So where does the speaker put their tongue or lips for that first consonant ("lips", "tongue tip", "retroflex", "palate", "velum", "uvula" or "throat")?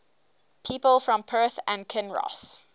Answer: lips